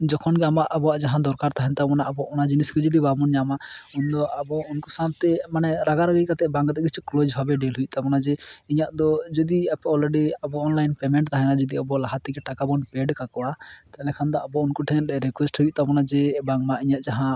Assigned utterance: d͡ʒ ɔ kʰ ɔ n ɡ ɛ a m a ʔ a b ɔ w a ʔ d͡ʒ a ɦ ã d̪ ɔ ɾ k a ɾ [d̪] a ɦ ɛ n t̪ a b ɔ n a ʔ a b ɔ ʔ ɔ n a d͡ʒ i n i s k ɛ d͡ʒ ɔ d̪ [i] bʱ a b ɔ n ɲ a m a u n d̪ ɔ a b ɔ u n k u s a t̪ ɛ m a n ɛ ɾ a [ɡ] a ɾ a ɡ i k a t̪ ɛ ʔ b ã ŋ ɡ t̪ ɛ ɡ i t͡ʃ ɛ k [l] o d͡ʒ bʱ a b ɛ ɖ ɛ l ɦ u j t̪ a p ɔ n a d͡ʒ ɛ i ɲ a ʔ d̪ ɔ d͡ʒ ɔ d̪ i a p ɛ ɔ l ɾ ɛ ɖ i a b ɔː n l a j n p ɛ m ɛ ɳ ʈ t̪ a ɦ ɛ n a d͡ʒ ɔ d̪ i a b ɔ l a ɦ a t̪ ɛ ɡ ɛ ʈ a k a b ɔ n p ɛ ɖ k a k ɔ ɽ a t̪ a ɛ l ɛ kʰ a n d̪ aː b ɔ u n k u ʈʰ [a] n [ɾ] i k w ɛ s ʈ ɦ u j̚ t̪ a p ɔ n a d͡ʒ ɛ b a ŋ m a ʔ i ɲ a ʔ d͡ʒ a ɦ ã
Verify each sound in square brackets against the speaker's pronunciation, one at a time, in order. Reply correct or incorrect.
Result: incorrect, correct, correct, correct, incorrect, correct

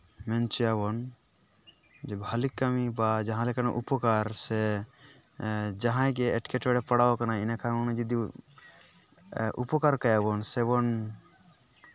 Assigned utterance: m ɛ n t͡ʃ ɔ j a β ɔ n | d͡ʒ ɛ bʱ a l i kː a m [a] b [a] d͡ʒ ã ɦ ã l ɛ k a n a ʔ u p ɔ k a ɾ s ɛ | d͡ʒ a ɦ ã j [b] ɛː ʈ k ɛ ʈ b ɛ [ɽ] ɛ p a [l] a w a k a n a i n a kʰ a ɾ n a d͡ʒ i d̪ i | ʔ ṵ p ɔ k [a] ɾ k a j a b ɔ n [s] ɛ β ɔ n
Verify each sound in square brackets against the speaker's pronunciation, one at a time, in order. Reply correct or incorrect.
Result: incorrect, correct, incorrect, correct, incorrect, correct, correct

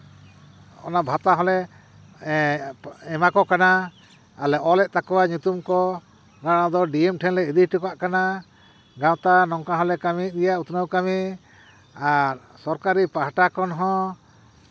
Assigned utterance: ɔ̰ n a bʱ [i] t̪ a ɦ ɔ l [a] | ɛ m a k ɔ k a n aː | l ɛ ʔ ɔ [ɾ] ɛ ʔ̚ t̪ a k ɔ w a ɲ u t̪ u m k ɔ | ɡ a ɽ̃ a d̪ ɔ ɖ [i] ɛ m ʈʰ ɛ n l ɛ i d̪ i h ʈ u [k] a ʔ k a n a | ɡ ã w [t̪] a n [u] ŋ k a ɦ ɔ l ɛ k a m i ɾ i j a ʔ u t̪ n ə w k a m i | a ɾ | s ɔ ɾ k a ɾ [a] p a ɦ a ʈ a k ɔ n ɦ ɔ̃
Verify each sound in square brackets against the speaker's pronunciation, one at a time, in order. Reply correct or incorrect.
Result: incorrect, incorrect, incorrect, correct, correct, correct, incorrect, incorrect

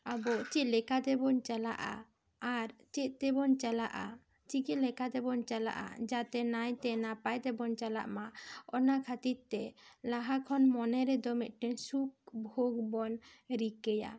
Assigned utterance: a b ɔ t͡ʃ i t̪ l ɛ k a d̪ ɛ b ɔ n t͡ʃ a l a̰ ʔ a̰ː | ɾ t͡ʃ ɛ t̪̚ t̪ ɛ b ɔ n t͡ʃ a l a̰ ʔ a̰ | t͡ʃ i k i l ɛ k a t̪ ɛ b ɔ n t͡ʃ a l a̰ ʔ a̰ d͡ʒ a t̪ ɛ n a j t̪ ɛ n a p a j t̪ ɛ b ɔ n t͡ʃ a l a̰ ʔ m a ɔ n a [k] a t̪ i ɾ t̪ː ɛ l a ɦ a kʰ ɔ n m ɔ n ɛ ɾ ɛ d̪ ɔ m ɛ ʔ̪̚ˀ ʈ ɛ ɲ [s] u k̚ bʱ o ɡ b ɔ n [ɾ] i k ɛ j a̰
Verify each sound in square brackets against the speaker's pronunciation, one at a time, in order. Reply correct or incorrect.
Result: incorrect, correct, correct

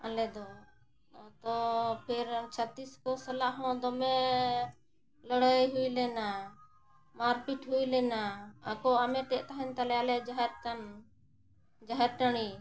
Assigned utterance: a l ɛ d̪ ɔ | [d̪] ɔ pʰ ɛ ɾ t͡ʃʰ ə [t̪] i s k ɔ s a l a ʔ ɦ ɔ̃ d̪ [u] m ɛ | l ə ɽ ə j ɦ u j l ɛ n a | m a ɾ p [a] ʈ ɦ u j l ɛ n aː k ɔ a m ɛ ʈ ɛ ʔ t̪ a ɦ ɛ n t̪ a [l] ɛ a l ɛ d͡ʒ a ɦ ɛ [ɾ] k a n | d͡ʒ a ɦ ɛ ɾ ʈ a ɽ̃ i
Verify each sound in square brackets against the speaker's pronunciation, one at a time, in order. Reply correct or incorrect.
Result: incorrect, correct, incorrect, incorrect, correct, correct

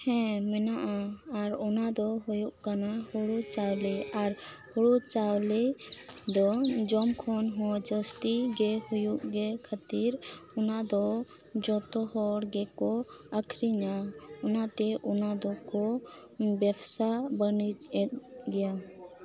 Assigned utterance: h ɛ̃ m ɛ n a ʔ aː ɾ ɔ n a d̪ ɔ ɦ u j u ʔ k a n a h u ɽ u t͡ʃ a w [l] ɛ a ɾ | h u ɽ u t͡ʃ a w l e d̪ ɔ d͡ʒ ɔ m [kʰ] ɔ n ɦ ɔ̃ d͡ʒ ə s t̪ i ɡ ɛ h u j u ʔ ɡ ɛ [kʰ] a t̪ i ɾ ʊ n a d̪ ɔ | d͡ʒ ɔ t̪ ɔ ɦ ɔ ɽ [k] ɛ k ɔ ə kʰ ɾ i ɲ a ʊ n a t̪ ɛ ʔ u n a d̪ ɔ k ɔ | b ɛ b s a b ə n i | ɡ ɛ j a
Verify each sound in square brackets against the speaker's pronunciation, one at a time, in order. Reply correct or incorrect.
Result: correct, correct, correct, incorrect

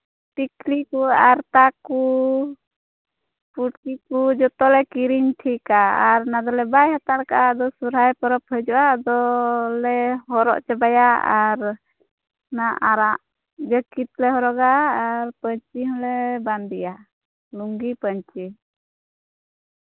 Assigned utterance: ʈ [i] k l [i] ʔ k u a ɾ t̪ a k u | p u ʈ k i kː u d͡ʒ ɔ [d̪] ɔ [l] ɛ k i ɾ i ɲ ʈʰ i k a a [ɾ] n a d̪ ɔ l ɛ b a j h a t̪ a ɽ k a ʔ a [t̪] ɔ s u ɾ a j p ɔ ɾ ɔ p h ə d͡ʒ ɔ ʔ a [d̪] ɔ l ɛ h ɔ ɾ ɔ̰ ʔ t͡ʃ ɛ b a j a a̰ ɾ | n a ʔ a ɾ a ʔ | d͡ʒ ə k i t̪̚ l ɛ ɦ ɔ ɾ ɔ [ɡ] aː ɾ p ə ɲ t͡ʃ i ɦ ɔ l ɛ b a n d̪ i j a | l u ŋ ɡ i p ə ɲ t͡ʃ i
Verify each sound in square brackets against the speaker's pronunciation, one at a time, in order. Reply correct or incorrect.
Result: correct, correct, incorrect, correct, correct, incorrect, correct, correct

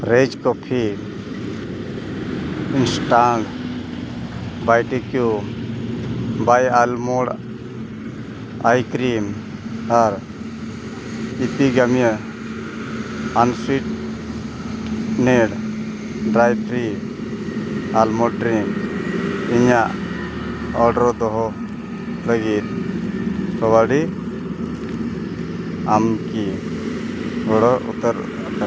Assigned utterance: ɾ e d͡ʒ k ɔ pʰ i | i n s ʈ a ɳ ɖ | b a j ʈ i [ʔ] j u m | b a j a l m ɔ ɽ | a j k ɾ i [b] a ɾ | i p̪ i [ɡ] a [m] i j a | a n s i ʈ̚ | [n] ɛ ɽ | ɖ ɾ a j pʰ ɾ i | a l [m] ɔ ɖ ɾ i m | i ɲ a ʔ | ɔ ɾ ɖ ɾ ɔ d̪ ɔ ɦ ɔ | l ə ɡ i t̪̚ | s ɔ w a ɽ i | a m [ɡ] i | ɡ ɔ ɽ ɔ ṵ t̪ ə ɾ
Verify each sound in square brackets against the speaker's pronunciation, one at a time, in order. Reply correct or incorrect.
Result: incorrect, incorrect, correct, correct, correct, correct, incorrect

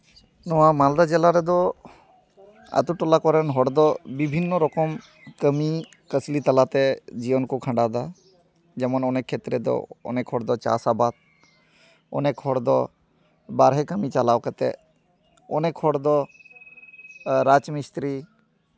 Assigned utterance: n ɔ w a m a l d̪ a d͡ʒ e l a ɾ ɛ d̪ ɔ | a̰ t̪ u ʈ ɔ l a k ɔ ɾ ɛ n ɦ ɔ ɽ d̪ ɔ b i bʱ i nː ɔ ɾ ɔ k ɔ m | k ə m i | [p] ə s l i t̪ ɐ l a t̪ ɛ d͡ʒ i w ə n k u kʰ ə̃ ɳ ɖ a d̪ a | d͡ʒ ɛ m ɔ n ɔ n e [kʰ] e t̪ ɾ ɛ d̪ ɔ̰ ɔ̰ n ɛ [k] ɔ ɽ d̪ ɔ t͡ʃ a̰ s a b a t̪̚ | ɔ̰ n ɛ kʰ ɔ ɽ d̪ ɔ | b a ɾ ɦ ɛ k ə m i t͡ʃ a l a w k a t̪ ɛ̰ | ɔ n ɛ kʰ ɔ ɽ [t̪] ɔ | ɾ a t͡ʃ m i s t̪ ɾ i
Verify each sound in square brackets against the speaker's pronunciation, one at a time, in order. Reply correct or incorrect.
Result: incorrect, correct, incorrect, incorrect

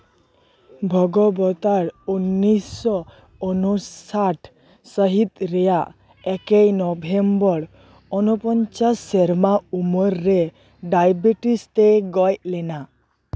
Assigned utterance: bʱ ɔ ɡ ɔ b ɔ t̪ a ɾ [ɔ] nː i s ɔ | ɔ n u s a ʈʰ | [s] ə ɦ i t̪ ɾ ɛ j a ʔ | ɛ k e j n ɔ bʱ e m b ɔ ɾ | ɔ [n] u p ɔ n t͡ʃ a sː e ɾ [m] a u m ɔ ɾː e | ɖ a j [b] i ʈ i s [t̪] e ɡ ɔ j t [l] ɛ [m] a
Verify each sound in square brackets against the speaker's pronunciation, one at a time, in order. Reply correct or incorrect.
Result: incorrect, correct, correct, correct, correct, correct, correct, incorrect

